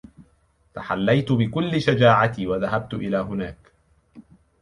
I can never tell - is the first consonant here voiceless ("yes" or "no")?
yes